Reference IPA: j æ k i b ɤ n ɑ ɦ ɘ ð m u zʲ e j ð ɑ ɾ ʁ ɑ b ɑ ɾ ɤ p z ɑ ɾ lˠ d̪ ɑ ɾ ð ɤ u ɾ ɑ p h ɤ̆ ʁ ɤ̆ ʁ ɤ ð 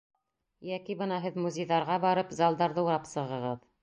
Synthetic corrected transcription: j æ k i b ɤ n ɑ ɦ ɘ ð m u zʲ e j ð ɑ ɾ ʁ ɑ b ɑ ɾ ɤ p z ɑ lˠ d̪ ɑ ɾ ð ɤ u ɾ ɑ p s ɤ̆ ʁ ɤ̆ ʁ ɤ ð